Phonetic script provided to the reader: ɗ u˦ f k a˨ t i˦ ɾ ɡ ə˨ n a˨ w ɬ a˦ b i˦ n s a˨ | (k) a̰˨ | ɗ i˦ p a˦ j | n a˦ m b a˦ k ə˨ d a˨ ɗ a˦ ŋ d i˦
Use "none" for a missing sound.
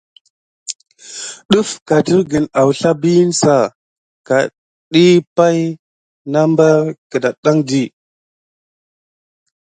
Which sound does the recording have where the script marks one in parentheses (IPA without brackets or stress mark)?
k